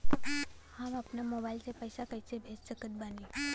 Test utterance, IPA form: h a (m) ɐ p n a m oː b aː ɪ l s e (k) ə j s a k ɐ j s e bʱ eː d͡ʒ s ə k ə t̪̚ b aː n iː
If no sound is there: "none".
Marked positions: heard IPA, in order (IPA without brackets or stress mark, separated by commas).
m, p